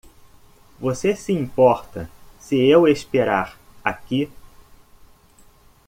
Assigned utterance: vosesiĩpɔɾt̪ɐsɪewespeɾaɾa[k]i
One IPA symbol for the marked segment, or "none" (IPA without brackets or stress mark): k